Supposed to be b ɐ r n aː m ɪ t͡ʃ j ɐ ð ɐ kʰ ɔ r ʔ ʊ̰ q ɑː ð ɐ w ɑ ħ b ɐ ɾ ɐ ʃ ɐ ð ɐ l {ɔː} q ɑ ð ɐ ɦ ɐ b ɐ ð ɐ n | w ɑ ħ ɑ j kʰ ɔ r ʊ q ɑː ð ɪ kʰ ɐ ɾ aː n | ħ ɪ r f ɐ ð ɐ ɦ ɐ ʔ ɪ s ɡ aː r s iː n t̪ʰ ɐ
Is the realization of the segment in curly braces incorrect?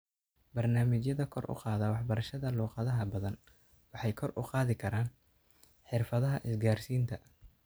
yes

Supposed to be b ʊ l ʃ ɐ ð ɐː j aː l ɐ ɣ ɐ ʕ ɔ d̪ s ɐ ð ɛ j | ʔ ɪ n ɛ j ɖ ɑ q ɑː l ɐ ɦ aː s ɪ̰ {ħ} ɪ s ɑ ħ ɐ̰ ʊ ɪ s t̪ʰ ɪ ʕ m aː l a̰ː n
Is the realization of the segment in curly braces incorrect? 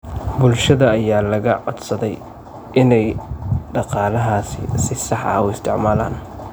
yes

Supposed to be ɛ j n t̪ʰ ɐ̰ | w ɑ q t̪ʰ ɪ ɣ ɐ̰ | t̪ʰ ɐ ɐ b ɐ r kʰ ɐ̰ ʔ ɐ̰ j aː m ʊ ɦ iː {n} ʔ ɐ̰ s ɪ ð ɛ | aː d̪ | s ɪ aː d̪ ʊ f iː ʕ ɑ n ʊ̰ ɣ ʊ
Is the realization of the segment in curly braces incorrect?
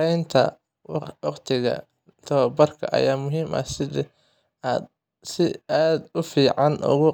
yes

